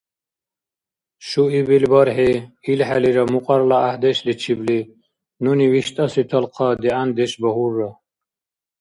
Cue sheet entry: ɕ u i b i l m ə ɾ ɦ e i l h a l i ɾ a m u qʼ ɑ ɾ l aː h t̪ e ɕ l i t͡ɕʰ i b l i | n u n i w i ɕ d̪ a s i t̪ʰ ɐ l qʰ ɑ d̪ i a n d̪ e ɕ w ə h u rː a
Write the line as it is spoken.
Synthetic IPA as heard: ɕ u i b i l b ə ɾ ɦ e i l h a l i ɾ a m u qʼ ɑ ɾ l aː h d̪ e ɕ l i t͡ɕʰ i b l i | n u n i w i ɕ t̪ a s i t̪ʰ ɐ l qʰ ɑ d̪ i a n d̪ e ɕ b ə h u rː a